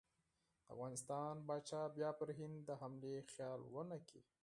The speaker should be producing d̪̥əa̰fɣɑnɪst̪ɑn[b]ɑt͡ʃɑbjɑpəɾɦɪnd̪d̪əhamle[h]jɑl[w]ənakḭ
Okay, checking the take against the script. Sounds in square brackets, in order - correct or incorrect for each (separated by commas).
correct, incorrect, correct